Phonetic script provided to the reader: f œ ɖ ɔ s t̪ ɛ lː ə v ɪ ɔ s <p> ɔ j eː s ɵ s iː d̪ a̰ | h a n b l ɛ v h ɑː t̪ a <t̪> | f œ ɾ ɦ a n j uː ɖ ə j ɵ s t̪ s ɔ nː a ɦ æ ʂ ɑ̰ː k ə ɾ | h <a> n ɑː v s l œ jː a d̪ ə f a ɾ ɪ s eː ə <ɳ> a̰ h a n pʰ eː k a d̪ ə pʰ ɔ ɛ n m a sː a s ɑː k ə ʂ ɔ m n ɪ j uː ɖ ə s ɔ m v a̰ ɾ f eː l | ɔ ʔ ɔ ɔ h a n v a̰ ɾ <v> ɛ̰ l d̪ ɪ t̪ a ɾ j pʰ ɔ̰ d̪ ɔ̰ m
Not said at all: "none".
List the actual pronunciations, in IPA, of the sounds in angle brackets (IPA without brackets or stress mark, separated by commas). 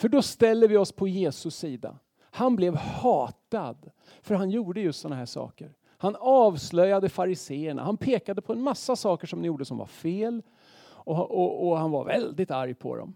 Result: pʰ, d̪, a, ɳ, v